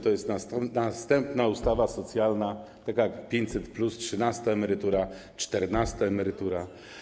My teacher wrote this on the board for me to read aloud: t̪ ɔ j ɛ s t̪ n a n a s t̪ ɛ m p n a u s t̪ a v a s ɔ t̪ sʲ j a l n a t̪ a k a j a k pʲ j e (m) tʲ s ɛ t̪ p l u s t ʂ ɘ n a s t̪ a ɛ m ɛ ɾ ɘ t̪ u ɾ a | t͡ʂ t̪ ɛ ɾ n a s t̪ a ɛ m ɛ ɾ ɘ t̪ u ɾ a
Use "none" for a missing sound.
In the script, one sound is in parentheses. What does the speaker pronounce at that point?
ɲ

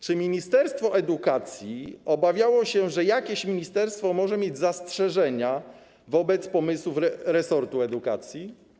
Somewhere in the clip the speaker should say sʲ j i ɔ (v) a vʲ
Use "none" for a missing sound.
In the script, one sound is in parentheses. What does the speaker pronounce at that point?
b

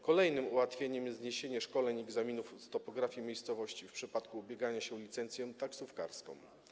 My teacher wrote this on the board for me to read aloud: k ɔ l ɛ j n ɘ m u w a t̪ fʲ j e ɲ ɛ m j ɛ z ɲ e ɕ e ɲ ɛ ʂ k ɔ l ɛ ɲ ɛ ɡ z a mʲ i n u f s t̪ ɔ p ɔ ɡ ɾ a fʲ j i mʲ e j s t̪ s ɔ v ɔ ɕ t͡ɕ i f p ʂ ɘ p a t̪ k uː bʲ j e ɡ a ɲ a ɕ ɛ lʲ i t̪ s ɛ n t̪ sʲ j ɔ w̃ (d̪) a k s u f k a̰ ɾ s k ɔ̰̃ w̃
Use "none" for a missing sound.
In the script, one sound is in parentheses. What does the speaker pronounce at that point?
t̪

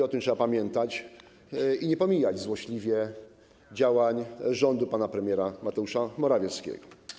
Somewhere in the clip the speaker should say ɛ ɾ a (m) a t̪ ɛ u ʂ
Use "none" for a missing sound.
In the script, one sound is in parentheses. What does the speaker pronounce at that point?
m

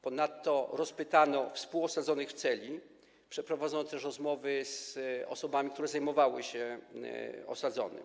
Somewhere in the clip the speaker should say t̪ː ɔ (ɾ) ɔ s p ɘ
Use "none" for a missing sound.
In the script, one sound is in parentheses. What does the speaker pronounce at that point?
ɾ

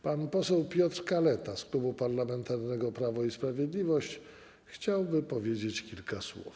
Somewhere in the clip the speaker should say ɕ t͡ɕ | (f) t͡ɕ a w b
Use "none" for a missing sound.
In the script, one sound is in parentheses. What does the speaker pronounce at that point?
x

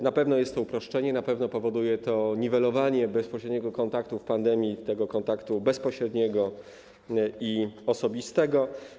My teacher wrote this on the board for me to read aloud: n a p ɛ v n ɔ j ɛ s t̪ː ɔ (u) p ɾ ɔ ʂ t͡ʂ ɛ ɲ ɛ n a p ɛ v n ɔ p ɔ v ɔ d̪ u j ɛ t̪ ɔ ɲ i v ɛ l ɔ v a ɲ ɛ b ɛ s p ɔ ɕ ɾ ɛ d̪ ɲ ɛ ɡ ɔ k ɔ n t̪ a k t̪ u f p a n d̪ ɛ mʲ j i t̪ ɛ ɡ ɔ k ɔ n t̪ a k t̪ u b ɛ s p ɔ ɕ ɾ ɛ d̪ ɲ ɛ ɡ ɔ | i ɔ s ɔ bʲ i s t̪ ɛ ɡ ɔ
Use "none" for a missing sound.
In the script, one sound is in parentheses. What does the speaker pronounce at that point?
u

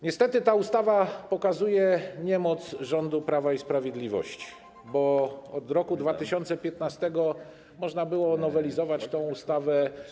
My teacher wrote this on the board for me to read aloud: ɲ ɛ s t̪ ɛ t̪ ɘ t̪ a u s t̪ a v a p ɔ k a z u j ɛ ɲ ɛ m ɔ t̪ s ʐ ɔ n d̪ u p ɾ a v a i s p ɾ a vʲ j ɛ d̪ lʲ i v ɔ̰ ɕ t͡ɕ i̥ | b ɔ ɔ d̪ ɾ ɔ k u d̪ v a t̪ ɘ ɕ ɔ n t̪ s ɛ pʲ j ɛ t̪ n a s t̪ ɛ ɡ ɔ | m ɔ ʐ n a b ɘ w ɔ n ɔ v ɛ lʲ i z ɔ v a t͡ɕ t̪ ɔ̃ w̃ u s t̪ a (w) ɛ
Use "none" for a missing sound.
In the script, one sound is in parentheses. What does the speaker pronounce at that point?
v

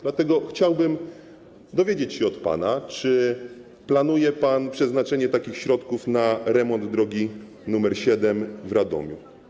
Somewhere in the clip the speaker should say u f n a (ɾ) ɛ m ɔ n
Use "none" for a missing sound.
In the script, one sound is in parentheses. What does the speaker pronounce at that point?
ɾ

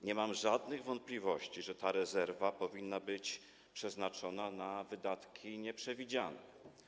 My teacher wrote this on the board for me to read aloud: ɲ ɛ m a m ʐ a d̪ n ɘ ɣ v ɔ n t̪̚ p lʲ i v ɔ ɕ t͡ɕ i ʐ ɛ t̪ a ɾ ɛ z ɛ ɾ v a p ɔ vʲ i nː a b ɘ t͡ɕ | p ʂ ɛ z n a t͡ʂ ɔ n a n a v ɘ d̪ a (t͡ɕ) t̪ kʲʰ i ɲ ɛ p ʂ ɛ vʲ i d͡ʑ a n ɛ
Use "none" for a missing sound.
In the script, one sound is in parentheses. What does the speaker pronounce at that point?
none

